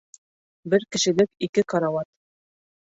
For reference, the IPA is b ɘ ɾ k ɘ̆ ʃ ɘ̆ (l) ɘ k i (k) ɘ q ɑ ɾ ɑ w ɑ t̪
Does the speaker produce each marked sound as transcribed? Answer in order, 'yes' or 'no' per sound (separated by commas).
yes, yes